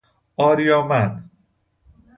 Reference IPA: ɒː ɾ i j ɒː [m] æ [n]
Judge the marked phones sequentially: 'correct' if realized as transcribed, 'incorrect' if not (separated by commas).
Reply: correct, correct